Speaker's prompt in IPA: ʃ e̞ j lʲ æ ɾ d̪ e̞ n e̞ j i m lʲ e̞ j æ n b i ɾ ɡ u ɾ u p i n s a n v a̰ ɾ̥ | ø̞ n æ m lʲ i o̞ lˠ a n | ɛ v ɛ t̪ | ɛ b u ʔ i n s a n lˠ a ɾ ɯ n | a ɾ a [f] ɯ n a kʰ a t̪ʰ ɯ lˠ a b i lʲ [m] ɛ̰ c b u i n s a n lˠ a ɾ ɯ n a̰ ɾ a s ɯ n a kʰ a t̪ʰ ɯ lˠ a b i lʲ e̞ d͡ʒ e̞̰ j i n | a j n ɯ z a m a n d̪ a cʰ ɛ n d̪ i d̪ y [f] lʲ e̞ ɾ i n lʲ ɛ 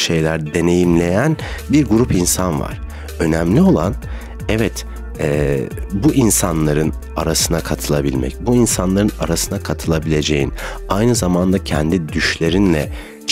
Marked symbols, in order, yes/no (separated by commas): no, yes, no